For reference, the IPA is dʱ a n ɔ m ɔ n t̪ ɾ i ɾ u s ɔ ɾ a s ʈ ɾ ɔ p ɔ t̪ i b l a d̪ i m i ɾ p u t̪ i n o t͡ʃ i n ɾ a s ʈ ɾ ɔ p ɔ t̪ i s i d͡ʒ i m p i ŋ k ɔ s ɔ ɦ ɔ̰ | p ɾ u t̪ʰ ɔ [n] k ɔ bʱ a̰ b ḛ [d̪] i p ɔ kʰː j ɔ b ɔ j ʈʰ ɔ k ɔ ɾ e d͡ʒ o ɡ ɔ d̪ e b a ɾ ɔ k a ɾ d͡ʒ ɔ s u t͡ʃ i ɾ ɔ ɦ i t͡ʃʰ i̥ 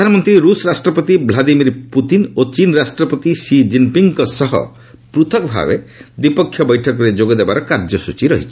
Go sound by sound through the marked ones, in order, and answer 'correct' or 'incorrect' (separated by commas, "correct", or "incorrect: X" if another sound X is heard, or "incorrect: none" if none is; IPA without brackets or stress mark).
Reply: incorrect: none, correct